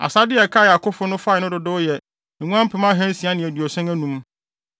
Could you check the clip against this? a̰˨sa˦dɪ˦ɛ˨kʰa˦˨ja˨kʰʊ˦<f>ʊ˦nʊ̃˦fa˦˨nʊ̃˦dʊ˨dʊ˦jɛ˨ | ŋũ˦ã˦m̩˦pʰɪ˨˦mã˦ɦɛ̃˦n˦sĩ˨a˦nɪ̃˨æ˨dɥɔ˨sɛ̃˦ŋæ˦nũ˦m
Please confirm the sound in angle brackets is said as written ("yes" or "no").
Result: yes